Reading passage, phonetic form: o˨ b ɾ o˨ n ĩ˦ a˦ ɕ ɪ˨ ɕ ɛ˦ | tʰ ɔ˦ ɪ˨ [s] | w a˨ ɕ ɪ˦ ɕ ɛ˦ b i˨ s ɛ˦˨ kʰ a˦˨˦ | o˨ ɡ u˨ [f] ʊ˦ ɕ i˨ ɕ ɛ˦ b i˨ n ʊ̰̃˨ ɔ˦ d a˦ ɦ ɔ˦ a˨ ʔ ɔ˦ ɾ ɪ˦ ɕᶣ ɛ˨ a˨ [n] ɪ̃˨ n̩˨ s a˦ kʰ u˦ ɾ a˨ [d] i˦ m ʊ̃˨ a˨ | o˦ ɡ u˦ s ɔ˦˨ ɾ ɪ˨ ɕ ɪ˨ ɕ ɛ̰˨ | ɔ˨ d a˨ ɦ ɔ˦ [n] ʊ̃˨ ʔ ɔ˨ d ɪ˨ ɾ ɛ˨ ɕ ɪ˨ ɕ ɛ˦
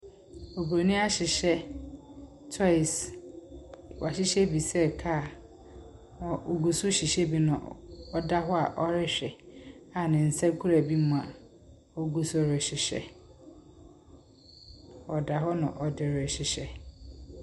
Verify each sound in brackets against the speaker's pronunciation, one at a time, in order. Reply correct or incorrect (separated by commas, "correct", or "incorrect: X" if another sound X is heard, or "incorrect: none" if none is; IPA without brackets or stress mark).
correct, incorrect: s, correct, incorrect: b, correct